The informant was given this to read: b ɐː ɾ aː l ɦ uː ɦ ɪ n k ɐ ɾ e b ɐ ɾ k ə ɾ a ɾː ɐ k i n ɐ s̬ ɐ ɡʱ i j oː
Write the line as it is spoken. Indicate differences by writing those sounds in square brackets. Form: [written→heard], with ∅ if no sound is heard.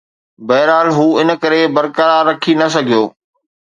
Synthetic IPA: b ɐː ɾ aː l ɦ uː [ɦ→∅] ɪ n k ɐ ɾ e b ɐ ɾ k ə ɾ a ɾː ɐ [k→kʰ] i n ɐ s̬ ɐ ɡʱ i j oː